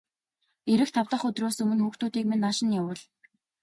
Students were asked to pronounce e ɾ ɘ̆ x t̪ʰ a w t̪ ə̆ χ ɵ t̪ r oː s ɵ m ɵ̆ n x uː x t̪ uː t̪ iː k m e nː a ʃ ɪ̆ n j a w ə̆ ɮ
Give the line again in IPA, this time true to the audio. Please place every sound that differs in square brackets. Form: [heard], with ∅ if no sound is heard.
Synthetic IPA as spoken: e ɾ ɘ̆ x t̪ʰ a w t̪ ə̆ χ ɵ t̪ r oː s ɵ m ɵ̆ n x uː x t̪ uː t̪ iː k m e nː a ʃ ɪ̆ n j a w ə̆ ɮ